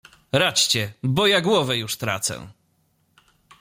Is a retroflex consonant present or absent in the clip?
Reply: present